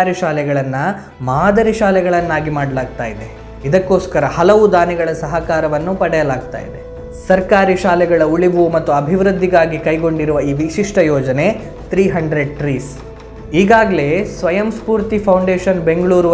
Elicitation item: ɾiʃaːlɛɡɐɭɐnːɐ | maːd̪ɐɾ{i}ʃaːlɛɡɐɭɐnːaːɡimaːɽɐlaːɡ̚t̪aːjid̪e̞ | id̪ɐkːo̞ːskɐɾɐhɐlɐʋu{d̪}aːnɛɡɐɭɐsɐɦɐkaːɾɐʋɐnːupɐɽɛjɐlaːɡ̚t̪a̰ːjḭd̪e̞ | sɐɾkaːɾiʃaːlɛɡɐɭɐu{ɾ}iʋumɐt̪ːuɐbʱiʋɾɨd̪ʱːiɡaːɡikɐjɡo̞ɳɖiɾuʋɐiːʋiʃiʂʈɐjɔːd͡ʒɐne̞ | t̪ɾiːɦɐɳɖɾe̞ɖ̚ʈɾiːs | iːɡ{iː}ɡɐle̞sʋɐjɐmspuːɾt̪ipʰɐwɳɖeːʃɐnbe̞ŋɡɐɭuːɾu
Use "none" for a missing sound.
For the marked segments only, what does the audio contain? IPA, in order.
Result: i, d̪, ɭ, aː

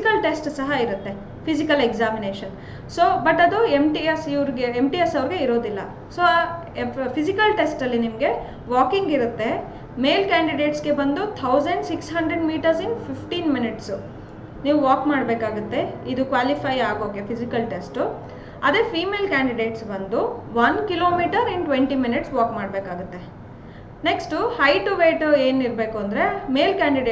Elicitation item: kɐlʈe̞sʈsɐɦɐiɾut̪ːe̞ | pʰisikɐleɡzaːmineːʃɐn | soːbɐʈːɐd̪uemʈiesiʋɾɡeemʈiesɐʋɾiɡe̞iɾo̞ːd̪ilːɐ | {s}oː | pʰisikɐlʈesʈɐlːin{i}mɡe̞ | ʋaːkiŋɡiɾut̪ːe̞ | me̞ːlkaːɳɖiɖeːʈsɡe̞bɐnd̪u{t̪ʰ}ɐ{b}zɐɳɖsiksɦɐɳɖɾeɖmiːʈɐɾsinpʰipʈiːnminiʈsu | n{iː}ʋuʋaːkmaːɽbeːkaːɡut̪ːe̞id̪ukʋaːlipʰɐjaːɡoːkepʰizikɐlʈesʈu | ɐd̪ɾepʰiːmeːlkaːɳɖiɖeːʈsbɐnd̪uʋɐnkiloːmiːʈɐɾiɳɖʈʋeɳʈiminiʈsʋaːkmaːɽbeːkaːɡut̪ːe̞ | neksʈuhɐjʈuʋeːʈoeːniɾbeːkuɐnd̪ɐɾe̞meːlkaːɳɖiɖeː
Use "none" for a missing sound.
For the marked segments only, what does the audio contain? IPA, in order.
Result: s, i, t̪ʰ, w, iː

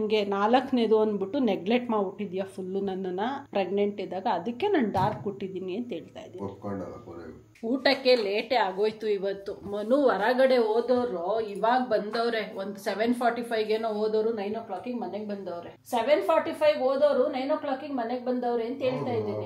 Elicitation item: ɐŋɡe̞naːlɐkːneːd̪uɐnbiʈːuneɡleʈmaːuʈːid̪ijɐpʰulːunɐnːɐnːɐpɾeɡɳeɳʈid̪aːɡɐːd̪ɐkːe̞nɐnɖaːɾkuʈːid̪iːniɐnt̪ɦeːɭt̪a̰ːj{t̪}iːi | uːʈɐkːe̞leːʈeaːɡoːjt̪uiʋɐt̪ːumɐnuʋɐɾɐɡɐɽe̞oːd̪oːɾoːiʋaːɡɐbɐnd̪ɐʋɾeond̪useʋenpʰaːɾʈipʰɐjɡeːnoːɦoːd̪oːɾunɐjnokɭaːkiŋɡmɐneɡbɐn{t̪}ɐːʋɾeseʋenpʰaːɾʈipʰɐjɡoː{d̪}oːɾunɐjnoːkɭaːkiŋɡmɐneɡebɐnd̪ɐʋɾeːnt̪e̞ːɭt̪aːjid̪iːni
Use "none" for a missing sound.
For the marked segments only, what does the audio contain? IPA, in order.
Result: d̪, d̪, d̪

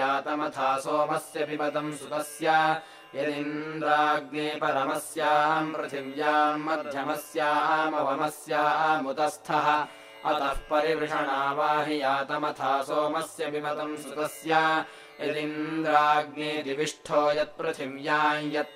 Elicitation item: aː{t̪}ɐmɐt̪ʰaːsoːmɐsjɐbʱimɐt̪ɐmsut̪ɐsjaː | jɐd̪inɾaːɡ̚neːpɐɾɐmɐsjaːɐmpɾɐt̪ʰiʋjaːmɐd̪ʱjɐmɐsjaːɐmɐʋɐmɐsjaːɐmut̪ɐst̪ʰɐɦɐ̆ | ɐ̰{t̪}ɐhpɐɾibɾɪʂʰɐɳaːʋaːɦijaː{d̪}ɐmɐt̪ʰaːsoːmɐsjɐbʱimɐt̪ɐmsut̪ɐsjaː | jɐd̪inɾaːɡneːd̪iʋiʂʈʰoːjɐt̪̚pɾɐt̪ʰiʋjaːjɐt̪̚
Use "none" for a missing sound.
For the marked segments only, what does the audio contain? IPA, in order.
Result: t̪, t̪, t̪

